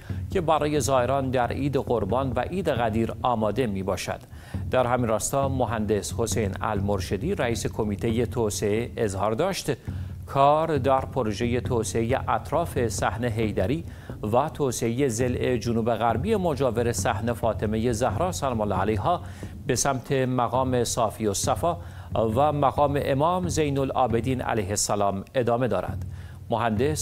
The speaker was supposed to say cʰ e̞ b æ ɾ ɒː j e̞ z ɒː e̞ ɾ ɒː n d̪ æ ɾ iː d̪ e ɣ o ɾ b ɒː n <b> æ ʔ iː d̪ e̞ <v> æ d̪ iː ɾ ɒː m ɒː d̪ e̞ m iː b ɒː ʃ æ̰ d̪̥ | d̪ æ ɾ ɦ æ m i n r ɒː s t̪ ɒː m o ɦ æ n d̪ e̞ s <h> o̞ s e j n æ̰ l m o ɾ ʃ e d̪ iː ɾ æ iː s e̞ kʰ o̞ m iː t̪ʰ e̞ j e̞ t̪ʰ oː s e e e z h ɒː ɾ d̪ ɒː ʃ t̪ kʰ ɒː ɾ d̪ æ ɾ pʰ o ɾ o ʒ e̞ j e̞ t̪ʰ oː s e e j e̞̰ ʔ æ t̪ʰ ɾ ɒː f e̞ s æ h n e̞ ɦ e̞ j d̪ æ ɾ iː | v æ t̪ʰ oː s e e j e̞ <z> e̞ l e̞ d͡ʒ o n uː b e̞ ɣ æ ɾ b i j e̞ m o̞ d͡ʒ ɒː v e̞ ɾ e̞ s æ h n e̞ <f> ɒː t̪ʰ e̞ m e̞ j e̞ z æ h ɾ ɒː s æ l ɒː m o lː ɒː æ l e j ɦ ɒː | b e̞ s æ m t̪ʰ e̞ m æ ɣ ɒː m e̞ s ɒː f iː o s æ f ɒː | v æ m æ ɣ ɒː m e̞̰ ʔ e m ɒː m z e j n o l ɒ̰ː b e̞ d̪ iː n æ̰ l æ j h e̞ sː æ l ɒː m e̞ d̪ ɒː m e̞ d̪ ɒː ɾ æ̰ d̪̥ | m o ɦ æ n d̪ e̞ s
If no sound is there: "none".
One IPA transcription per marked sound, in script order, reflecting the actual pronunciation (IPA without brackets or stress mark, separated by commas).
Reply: v, ɣ, h, z, f